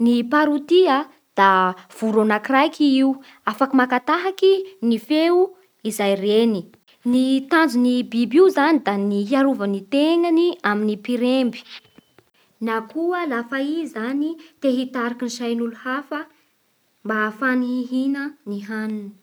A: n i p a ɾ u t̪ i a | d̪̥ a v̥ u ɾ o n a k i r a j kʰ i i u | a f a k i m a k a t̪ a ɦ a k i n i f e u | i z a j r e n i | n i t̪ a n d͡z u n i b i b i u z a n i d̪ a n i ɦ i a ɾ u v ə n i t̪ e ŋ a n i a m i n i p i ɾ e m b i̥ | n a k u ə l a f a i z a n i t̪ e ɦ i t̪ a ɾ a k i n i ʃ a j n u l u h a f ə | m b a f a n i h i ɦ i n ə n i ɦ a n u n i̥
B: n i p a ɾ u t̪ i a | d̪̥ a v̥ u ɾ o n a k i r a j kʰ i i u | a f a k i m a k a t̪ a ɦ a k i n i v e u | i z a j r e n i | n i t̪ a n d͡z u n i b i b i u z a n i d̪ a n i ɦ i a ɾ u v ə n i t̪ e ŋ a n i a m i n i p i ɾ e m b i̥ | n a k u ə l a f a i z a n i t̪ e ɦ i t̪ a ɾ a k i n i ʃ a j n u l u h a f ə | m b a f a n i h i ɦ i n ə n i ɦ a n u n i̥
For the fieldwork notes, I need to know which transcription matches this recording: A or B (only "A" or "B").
A